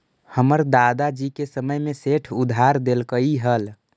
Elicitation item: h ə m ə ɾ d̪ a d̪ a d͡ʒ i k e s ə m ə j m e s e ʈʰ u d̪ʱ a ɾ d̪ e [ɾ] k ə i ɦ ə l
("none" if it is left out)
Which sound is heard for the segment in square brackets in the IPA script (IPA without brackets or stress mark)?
l